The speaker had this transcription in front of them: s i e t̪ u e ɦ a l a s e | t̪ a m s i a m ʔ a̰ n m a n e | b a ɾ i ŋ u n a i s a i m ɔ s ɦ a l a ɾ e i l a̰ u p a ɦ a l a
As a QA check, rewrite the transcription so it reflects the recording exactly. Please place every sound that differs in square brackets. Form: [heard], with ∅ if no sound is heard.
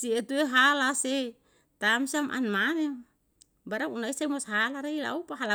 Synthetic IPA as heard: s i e t̪ u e ɦ a l a s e | t̪ a m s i a m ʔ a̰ n m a n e | b a ɾ [a] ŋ u n a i s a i m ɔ s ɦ a l a ɾ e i l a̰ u p a ɦ a l a